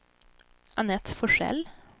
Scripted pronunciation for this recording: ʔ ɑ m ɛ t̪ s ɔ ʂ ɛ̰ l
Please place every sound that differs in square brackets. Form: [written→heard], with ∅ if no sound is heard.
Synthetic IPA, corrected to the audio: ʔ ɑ [m→n] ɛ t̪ [s→f] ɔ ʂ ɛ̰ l